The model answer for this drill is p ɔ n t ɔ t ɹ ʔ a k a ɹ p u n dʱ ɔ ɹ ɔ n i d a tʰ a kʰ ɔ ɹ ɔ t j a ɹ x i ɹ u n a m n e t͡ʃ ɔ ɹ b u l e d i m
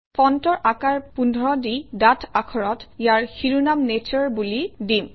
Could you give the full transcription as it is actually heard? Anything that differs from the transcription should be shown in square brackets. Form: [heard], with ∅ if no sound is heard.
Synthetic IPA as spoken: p ɔ n t ɔ [∅] ɹ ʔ a k a ɹ p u n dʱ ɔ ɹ ɔ [d] i d a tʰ a kʰ ɔ ɹ ɔ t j a ɹ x i ɹ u n a m n e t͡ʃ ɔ ɹ b u l [i] d i m